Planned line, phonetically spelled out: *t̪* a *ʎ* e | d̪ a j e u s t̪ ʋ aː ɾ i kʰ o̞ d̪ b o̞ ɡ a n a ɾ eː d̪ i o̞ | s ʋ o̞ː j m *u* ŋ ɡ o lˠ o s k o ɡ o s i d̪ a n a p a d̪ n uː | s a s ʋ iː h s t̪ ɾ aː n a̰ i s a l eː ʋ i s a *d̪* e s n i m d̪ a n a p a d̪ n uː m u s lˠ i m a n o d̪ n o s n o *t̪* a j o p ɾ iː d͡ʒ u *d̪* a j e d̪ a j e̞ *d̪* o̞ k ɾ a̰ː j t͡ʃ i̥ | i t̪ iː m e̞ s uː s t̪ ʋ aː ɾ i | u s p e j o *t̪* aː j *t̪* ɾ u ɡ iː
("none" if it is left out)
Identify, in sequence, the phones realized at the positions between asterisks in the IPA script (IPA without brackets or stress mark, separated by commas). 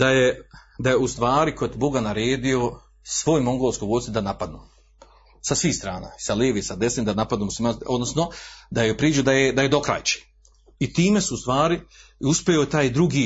d̪, j, o, d̪, d̪, d̪, d̪, t̪, d̪